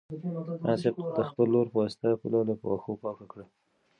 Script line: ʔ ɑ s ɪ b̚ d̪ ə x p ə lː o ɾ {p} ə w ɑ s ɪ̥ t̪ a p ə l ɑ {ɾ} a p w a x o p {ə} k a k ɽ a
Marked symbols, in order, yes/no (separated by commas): yes, no, no